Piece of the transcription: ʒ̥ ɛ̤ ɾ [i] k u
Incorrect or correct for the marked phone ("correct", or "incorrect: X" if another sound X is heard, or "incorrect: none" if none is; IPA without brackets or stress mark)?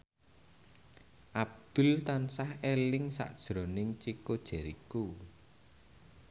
correct